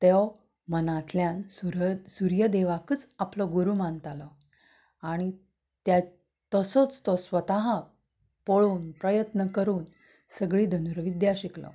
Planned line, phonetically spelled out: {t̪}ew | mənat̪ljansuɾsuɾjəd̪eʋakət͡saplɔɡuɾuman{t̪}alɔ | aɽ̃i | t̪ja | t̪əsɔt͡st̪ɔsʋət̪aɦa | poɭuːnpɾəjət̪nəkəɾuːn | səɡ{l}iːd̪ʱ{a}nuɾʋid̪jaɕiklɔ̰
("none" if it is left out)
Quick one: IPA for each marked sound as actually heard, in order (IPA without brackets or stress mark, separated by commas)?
t̪, t̪, ɭ, ə